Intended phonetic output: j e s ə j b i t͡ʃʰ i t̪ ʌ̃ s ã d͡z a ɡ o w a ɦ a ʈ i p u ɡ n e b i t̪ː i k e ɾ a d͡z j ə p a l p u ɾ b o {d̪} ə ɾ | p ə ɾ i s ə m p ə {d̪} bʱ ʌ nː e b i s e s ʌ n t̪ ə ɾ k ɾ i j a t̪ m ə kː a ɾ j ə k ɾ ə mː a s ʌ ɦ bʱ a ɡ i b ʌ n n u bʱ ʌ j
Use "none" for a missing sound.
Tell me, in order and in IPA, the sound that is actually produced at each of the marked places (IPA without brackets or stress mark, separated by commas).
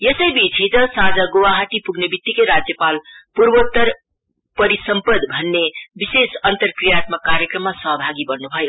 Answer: t̪, d̪